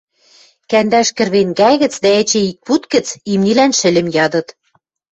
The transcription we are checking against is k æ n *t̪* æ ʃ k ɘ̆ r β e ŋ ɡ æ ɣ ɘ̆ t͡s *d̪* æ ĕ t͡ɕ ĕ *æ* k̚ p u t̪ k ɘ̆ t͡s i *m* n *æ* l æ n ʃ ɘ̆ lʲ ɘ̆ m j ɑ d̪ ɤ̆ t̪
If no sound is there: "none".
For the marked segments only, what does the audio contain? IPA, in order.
d̪, d̪, i, m, i

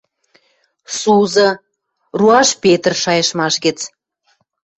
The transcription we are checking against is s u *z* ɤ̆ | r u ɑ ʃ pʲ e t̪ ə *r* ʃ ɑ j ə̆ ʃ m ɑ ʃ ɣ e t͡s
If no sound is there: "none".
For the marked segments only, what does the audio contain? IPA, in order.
z, r

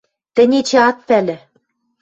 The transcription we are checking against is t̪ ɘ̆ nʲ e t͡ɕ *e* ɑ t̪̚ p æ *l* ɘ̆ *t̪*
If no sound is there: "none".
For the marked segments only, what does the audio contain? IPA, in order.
e, l, none

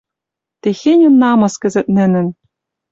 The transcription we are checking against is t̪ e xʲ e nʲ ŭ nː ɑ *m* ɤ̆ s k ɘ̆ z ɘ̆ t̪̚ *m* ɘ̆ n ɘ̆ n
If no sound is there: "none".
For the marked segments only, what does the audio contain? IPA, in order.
m, n

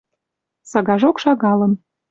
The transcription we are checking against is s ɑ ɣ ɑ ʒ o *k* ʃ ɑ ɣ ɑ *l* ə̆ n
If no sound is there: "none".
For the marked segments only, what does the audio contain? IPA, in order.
k, l

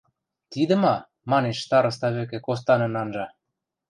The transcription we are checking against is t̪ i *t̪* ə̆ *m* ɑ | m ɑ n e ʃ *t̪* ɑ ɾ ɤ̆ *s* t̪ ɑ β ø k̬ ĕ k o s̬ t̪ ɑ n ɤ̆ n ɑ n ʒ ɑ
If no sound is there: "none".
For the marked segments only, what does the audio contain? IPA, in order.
d̪, m, t̪, s

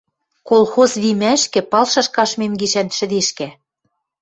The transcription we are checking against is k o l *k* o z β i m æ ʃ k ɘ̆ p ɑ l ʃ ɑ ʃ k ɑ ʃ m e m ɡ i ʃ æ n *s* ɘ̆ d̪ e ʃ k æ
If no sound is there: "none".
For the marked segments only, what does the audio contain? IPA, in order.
x, ʃ

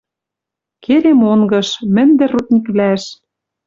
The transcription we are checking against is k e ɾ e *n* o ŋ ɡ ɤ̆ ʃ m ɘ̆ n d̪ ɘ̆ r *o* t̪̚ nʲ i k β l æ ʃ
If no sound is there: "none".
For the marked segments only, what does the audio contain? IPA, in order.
m, u

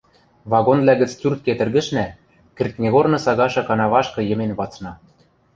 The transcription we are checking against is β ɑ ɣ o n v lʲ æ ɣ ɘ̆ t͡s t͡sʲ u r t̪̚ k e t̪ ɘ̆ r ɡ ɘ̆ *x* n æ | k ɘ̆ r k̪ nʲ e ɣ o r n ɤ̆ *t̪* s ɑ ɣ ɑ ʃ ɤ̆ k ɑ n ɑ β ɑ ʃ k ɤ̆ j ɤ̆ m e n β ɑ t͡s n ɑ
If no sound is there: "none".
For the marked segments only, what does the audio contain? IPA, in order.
ʃ, none

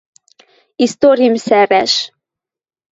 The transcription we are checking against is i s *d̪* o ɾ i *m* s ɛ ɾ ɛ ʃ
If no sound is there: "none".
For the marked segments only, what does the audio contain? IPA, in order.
t̪, m

